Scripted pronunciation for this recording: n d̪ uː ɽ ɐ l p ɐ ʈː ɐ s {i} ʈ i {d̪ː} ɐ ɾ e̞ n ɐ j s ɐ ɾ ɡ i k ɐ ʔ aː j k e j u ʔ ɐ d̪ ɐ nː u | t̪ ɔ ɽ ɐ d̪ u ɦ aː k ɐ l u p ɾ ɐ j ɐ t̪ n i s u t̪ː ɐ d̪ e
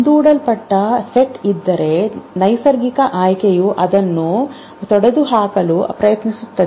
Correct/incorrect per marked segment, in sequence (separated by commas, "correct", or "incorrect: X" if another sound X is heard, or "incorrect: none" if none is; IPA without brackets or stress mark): incorrect: e, correct